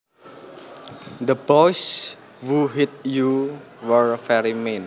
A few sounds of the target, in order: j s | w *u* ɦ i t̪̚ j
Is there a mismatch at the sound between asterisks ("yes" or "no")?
no